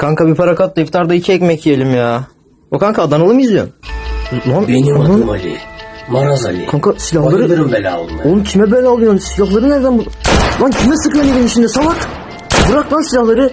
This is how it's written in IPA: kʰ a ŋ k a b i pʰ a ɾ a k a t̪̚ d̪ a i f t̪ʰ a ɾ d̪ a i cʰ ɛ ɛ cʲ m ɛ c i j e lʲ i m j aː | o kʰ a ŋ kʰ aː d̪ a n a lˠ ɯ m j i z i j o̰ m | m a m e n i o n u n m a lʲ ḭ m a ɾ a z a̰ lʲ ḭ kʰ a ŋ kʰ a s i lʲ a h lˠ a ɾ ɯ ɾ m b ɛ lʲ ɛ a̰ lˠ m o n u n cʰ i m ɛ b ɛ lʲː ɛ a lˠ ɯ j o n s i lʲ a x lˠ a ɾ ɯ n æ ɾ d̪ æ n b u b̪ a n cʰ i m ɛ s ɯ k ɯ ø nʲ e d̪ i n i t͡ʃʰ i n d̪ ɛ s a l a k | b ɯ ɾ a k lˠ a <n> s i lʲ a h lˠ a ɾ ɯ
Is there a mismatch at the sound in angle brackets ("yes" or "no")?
no